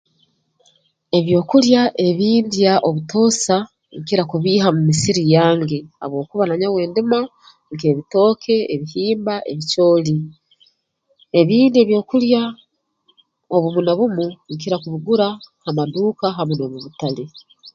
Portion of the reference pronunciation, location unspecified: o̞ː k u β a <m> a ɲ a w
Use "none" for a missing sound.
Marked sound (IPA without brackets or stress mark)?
n